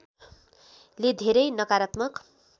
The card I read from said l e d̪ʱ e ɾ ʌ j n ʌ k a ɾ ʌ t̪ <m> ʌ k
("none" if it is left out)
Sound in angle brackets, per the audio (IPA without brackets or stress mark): m